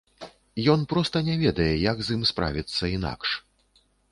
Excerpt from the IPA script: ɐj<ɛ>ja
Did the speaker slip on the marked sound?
no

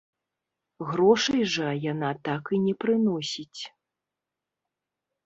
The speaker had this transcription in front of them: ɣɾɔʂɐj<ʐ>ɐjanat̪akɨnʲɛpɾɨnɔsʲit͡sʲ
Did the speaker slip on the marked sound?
no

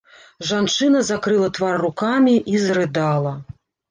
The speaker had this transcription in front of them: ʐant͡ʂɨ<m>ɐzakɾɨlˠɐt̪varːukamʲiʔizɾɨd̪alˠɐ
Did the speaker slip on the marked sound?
yes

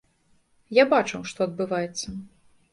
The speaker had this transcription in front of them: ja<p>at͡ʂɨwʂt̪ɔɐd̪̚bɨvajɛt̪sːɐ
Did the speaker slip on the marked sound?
yes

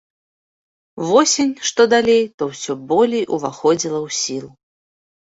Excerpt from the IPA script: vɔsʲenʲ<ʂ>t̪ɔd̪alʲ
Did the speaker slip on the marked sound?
no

